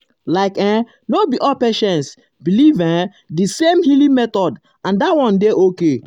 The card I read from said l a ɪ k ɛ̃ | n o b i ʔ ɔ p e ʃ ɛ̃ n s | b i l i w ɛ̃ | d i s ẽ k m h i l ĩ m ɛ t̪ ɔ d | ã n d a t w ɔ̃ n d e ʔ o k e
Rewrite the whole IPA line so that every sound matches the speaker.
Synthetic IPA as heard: l a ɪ k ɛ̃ | n o b i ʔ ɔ p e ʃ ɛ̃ n s | b i l i v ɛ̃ | d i s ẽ m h i l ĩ m ɛ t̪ ɔ d | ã n d a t w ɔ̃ n d e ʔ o k e